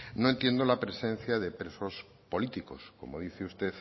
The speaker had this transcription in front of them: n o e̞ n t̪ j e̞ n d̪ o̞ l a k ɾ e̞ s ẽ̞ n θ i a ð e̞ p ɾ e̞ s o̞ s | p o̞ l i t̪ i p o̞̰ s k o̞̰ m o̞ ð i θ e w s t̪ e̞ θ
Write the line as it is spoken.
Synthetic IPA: n o e̞ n t̪ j e̞ n d̪ o̞ l a p ɾ e̞ s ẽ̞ n θ j a ð e̞ p ɾ e̞ s o̞ s | p o̞ l i t̪ i k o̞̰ s k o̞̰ m o̞ ð i θ e u s t̪ e̞ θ